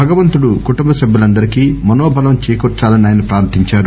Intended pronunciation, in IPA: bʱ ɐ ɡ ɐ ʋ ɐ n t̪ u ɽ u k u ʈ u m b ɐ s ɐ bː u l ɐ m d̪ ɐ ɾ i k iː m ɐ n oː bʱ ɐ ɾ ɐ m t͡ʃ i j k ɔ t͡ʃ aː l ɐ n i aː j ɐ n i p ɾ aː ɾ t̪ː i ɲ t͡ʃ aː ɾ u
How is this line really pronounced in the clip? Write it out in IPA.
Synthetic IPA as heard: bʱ ɐ ɡ ɐ ʋ ɐ n t̪ u ɽ u k u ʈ u m b ɐ s ɐ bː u l ɐ n d̪ ɐ ɾ i k iː m ɐ n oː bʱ ɐ l ɐ m t͡ʃ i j k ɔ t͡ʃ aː l ɐ n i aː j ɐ n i p ɾ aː ɾ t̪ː i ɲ t͡ʃ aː ɾ u